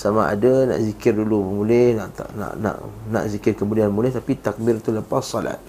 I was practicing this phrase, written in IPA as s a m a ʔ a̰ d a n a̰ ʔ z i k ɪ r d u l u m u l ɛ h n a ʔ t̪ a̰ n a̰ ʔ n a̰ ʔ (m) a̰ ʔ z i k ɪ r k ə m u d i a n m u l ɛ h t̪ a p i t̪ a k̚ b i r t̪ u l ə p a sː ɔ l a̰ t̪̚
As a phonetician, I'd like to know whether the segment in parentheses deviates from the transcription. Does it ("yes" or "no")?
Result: yes